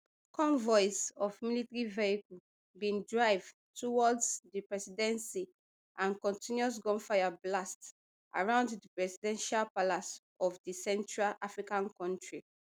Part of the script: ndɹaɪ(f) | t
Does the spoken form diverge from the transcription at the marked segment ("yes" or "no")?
yes